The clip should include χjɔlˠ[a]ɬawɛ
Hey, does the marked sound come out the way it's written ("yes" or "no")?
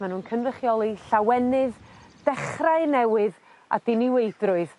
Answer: no